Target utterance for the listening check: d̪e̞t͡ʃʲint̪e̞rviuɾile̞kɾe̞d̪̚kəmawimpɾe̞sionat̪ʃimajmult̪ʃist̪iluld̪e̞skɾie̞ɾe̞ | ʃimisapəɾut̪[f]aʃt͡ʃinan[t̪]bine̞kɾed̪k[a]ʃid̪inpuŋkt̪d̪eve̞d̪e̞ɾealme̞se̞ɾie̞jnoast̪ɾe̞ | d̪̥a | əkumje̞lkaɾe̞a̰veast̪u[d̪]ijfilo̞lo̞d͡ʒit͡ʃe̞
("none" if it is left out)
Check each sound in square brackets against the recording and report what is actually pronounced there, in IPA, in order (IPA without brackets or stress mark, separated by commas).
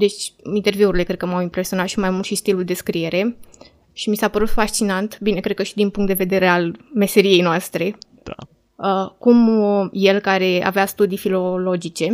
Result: f, t̪, ə, d̪